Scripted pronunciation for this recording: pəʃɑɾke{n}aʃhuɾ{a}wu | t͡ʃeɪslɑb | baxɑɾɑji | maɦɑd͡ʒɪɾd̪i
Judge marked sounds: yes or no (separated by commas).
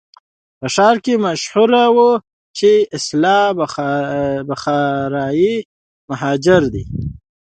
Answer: no, yes